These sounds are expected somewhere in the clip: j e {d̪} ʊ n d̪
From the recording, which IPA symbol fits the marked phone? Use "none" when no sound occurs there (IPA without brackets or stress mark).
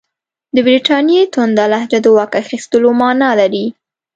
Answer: t̪